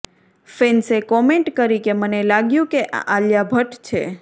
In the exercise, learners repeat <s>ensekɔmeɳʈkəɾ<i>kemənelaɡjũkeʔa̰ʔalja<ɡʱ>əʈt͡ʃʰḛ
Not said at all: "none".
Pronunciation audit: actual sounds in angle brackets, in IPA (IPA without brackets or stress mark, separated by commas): f, i, bʱ